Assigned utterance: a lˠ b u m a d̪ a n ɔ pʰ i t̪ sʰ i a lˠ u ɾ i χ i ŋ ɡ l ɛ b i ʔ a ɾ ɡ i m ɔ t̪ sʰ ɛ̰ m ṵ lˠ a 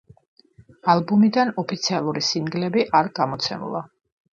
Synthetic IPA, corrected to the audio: a lˠ b u m i d̪ a n ɔ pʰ i t̪ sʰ i a lˠ u ɾ i s i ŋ ɡ l ɛ b i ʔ a ɾ ɡ a m ɔ t̪ sʰ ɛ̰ m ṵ lˠ a